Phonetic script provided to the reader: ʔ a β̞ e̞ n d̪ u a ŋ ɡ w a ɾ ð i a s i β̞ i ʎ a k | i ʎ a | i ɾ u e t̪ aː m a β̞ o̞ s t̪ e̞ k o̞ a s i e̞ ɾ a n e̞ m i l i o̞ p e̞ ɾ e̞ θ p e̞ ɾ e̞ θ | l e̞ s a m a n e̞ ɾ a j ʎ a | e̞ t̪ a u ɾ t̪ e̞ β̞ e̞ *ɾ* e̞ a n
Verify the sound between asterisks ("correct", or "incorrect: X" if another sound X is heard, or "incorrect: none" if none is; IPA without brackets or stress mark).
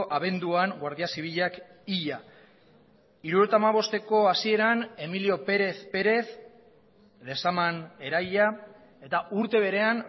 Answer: correct